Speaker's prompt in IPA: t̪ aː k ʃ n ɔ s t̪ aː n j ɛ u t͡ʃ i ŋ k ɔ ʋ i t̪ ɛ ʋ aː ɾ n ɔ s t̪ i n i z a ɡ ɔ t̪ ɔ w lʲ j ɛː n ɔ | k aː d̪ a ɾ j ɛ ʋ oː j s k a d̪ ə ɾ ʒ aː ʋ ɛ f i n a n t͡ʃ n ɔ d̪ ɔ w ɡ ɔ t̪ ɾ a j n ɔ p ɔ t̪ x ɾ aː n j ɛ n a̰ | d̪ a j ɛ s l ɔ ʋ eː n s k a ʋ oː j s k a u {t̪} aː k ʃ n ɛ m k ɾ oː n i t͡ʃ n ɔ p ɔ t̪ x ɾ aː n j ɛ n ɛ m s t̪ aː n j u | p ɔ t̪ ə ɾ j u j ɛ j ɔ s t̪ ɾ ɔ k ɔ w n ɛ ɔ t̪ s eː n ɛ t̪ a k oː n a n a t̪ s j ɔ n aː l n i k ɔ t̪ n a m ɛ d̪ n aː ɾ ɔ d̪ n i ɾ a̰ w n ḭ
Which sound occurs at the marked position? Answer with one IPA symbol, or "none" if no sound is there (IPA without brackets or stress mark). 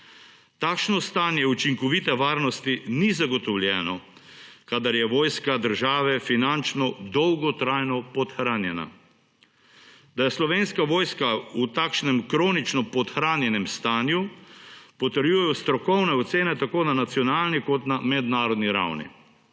t̪